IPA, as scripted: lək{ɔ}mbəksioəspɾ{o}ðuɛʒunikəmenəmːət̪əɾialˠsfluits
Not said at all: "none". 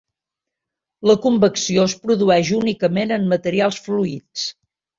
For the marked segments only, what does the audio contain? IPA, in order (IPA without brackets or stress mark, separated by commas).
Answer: u, u